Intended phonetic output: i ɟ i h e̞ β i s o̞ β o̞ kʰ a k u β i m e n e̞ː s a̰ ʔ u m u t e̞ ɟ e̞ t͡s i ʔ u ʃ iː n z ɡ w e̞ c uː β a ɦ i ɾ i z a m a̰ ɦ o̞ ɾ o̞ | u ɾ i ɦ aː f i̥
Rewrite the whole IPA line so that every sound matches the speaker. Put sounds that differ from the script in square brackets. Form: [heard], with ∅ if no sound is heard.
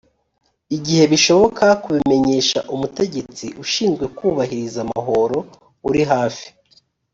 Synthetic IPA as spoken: i ɟ i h e̞ β i [ʃ] o̞ β o̞ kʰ a k u β i m e [ɲ] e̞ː [ʃ] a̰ ʔ u m u t e̞ ɟ e̞ t͡s i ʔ u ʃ iː n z ɡ w e̞ [k] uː β a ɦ i ɾ i z a m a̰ ɦ o̞ ɾ o̞ | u ɾ i ɦ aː f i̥

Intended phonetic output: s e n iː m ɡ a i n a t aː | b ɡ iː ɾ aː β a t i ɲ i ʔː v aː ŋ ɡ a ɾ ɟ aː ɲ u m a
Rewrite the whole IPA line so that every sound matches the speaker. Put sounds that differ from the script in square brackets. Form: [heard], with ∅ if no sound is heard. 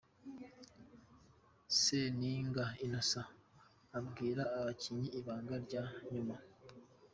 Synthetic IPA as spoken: s e n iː [ŋ] ɡ a i n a [s] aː | b ɡ iː ɾ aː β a [c] i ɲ i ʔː [β] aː ŋ ɡ a ɾ ɟ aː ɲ u m a

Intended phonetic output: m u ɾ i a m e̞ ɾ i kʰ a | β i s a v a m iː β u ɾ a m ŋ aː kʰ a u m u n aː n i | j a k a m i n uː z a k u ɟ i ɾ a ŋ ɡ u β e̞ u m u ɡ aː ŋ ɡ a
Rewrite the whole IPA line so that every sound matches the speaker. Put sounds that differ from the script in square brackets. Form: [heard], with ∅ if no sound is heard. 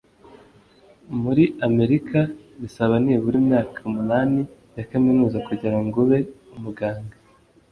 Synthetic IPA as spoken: m u ɾ i a m e̞ ɾ i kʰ a | β i s a [β] a [n] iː β u ɾ [i] m [ɲ] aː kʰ a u m u n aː n i | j a k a m i n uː z a k u ɟ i ɾ a ŋ ɡ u β e̞ u m u ɡ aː ŋ ɡ a

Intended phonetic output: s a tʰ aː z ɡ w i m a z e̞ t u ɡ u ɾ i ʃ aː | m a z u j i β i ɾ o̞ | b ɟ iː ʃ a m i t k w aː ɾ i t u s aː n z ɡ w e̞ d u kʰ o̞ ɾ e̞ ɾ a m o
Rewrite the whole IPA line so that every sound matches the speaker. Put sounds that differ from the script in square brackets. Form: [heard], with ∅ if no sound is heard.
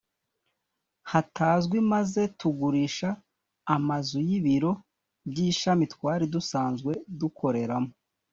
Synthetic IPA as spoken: [h] a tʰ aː z ɡ w i m a z e̞ t u ɡ u ɾ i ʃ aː | m a z u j i β i ɾ o̞ | b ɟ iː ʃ a m i t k w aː ɾ i [d] u s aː n z ɡ w e̞ d u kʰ o̞ ɾ e̞ ɾ a m o

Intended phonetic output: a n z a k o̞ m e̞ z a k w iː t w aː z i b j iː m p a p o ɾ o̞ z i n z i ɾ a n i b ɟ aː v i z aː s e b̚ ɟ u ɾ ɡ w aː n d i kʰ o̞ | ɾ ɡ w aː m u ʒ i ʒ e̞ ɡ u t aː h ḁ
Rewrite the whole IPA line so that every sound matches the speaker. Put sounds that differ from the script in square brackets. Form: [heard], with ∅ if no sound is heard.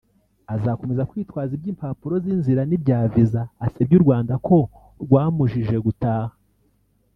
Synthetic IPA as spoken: a [∅] z a k o̞ m e̞ z a k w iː t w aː z i b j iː m p a p [u] ɾ o̞ z i n z i ɾ a n i b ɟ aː v i z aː s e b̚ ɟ u ɾ ɡ w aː n d [a] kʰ o̞ | ɾ ɡ w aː m u ʒ i ʒ e̞ ɡ u t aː h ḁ

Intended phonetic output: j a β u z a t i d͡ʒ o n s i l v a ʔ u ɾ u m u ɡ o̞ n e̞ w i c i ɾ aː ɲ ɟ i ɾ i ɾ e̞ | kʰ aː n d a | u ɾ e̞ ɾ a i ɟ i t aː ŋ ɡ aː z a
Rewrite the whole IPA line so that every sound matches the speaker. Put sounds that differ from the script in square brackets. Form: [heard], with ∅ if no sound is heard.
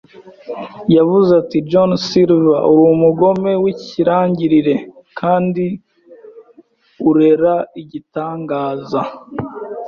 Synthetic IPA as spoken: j a [v] u z a t i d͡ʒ o n s i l v a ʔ u ɾ u m u ɡ o̞ [m] e̞ w i c i ɾ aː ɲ ɟ i ɾ i ɾ e̞ | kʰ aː n d [i] | u ɾ e̞ ɾ a i ɟ i t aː ŋ ɡ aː z a

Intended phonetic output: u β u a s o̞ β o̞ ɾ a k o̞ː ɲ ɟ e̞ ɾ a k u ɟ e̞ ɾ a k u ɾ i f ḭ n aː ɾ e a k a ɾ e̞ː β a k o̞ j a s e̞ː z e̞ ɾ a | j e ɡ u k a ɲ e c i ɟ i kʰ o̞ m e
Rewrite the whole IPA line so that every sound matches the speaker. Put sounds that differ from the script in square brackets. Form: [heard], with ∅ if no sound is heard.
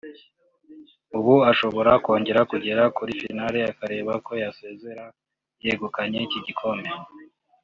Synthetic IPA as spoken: u β u a [ʃ] o̞ β o̞ ɾ a k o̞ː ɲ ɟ e̞ ɾ a k u ɟ e̞ ɾ a k u ɾ i f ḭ n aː ɾ e a k a ɾ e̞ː β a k o̞ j a s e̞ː z e̞ ɾ a | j e ɡ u k a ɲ e c i ɟ i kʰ o̞ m e

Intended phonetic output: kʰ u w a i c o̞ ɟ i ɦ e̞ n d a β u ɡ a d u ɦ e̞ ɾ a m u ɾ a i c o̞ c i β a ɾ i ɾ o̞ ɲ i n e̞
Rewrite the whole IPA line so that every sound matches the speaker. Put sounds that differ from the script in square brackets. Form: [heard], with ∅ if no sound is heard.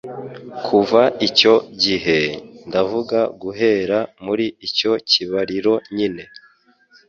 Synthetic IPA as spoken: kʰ u [v] a i c o̞ ɟ i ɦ e̞ n d a [v] u ɡ a [ɡ] u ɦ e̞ ɾ a m u ɾ [i] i c o̞ c i β a ɾ i ɾ o̞ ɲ i n e̞

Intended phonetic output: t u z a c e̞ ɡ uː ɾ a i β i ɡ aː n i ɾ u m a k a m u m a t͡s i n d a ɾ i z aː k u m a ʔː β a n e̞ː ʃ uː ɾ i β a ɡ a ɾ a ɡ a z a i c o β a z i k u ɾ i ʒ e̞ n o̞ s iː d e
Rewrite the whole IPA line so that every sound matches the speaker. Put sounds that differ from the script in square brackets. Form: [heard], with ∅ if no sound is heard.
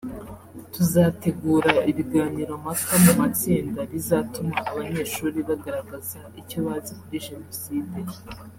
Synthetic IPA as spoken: t u z a [t] e̞ ɡ uː ɾ a i β i ɡ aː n i ɾ [o] m a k a m u m a t͡s [iː] n d a ɾ i z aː [t] u m a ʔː β a [ɲ] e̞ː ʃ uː ɾ i β a ɡ a ɾ a ɡ a z a i c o β a z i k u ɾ i ʒ e̞ n o̞ s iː d e

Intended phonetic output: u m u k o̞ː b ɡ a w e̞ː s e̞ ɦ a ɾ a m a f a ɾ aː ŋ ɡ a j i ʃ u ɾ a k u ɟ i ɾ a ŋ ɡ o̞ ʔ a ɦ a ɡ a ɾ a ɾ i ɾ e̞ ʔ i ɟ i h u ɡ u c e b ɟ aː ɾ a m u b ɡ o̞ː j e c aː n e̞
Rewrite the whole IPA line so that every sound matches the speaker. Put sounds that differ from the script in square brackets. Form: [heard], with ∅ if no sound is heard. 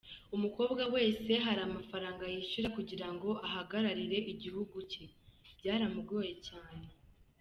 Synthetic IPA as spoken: u m u k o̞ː b ɡ a w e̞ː s e̞ ɦ a ɾ a m a f a ɾ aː ŋ ɡ a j i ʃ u ɾ a k u ɟ i ɾ a ŋ ɡ o̞ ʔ a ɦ a ɡ a ɾ a ɾ i ɾ e̞ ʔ i ɟ i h u ɡ u c e b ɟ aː ɾ a m u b ɡ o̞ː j e c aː n e̞

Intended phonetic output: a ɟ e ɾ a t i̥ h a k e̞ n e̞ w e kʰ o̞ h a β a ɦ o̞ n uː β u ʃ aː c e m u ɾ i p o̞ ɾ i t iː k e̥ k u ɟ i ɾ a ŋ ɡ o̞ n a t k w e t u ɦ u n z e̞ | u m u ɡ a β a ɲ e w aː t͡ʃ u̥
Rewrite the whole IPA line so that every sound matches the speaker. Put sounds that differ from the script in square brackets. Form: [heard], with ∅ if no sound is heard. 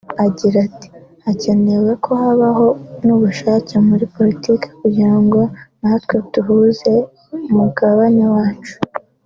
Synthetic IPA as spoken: a ɟ [i] ɾ a t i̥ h a [c] e̞ n e̞ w e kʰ o̞ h a β a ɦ o̞ n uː β u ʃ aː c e m u ɾ i p o̞ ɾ i t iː k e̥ k u ɟ i ɾ a ŋ ɡ o̞ n a t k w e t u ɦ u [∅] z e̞ | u m u ɡ a β a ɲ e w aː t͡ʃ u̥

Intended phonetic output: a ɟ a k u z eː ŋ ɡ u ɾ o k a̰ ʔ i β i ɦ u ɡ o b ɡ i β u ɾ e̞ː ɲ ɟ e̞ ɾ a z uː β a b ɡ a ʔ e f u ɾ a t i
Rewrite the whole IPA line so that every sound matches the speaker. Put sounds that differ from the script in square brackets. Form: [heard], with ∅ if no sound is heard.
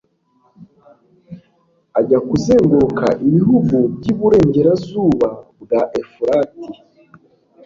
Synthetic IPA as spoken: a ɟ a k u z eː ŋ ɡ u ɾ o k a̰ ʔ i β i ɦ u ɡ [u] b [ɟ] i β u ɾ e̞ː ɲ ɟ e̞ ɾ a z uː β a b ɡ a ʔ e f u ɾ a t i

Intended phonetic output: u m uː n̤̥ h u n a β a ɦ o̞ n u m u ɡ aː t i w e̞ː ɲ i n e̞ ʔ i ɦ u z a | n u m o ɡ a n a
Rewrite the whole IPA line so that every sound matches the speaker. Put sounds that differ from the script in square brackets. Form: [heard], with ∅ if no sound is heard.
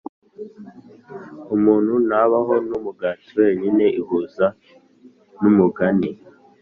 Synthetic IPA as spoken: u m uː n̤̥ h u n a β a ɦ o̞ n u m u ɡ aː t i w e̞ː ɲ i n e̞ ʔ i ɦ u z a | n u m [u] ɡ a n [i]

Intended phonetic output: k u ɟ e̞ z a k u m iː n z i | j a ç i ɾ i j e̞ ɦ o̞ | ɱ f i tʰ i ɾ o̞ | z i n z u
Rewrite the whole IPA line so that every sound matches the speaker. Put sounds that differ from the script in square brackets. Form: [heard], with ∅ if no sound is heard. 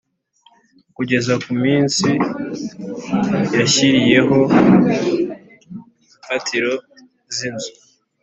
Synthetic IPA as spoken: k u ɟ e̞ z a k u m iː n [s] i | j a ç i ɾ i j e̞ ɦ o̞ | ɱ f [a] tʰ i ɾ o̞ | z i n z u

